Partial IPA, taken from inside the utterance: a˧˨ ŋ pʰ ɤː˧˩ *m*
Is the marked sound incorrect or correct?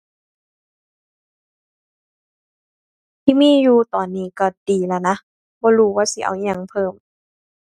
correct